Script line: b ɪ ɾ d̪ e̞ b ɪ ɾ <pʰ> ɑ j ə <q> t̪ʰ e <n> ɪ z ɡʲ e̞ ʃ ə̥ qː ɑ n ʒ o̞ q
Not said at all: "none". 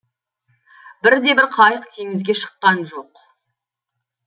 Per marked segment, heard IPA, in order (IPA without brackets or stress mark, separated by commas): qʰ, q, ŋ